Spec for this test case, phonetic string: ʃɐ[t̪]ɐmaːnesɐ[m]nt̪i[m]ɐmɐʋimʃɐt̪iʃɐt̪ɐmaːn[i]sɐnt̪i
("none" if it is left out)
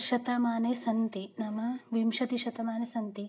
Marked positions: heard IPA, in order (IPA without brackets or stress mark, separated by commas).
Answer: t̪, none, n, e